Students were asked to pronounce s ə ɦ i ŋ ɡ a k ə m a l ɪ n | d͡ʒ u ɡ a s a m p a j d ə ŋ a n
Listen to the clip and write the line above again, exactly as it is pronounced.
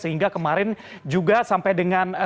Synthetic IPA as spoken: s ə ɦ i ŋ ɡ a k ə m a ɾ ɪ n | d͡ʒ u ɡ a s a m p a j d ə ŋ a n